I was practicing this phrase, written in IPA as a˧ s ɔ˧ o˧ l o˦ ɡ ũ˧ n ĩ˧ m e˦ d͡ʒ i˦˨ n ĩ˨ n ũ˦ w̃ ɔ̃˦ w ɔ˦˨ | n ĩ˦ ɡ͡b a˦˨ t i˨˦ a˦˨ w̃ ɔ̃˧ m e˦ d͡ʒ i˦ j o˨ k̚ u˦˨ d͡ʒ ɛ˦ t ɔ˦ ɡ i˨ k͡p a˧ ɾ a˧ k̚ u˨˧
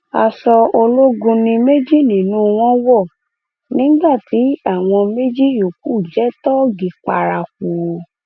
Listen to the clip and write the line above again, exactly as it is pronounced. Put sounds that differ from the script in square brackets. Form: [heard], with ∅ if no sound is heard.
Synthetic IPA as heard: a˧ s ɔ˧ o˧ l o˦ ɡ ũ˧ n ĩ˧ m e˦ d͡ʒ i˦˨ n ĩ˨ n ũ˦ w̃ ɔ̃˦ w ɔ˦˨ | n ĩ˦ ɡ͡b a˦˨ t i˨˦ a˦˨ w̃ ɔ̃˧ m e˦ d͡ʒ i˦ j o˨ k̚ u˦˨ d͡ʒ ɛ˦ t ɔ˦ ɡ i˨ k͡p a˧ ɾ a˧ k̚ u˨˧

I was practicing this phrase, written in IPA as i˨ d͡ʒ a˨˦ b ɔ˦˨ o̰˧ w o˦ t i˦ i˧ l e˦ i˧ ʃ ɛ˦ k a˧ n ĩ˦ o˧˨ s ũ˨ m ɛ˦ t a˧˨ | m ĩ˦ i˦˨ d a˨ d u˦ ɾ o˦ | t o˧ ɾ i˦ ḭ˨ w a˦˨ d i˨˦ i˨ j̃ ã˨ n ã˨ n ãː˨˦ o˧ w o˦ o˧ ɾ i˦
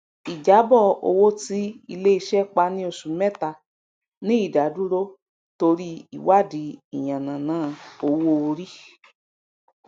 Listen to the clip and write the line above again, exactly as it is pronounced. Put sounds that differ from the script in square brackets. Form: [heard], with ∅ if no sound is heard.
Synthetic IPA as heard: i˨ d͡ʒ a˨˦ b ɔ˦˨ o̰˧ w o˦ t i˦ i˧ l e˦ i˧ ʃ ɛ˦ [k͡p] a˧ n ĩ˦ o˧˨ s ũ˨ m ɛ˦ t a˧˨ | [n] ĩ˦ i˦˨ d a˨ d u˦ ɾ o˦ | t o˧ ɾ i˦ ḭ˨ w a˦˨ d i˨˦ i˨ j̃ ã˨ n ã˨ n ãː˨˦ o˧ w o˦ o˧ ɾ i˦

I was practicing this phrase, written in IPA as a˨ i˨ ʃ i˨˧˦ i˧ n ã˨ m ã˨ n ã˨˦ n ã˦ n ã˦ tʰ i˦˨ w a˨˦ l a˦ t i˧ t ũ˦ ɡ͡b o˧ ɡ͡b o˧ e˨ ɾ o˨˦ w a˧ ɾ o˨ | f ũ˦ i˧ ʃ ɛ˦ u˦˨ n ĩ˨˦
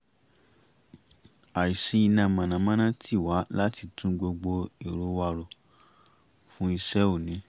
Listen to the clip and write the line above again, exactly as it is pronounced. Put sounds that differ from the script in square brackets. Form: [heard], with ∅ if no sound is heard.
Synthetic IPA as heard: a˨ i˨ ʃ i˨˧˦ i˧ n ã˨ m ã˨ n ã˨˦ [m] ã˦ n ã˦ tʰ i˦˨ w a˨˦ l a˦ t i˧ t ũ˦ ɡ͡b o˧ ɡ͡b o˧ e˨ ɾ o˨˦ w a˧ ɾ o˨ | f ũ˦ i˧ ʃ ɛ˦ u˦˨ n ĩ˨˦

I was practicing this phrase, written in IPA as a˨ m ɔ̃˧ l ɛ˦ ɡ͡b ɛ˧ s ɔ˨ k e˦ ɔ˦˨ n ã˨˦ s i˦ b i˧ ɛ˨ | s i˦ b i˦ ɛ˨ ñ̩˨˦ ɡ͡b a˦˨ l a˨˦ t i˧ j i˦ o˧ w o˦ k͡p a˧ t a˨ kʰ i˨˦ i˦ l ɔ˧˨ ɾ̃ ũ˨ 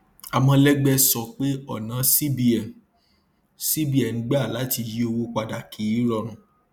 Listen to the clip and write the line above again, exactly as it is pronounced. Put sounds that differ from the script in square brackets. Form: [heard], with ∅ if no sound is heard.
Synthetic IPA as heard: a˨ m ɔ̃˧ l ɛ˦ ɡ͡b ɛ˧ s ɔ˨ [k͡p] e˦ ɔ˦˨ n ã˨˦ s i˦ b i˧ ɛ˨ | s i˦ b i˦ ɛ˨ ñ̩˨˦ ɡ͡b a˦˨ l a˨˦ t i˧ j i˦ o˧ w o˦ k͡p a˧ [d] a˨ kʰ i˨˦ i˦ [ɾ] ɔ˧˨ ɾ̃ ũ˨

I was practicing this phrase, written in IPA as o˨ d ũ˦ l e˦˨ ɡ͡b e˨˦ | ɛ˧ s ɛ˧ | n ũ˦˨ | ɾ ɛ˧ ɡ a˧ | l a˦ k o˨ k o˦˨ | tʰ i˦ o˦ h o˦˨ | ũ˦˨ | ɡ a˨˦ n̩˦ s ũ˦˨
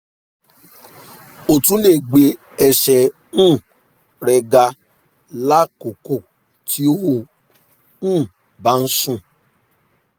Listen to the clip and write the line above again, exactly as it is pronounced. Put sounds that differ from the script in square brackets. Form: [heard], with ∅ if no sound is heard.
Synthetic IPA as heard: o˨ [t] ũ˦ l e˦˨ ɡ͡b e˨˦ | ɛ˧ [ʃ] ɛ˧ | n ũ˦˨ | ɾ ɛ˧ ɡ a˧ | l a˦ k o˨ k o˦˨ | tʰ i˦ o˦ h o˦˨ | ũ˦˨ | [b] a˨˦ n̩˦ s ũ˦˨

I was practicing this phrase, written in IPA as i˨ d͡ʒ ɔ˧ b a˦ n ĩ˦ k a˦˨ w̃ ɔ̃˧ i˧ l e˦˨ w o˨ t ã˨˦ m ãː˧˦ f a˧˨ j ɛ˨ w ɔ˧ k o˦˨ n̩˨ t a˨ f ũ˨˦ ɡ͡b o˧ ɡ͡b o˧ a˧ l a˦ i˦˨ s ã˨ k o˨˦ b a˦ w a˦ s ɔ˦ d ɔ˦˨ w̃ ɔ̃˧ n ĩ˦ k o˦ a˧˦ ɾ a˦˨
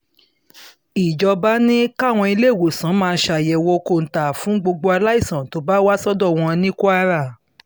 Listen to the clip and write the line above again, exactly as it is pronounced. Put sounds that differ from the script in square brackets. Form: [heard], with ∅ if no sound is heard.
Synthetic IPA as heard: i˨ d͡ʒ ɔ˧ b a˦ n ĩ˦ k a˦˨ w̃ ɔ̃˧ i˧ l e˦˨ w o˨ [s] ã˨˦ m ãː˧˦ [ʃ] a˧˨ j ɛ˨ w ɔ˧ k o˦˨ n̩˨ t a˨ f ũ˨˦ ɡ͡b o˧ ɡ͡b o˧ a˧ l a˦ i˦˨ s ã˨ [t] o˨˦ b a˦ w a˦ s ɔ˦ d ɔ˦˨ w̃ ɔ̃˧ n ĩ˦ k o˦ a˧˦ ɾ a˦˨

